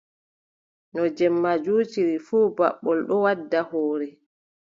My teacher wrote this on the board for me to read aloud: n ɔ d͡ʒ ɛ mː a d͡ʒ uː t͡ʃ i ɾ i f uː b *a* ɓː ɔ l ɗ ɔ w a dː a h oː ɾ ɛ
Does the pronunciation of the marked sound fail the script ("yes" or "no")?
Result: no